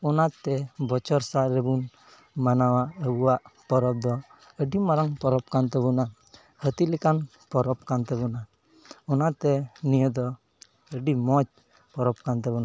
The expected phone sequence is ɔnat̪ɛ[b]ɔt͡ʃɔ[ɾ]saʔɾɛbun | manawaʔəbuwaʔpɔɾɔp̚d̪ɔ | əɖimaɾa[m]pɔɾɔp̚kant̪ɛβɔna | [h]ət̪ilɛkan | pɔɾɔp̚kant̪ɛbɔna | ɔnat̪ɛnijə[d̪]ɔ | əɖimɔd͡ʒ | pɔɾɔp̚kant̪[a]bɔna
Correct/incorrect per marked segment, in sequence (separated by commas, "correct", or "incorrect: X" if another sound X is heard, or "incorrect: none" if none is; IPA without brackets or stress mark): correct, correct, incorrect: ŋ, correct, correct, incorrect: ɛ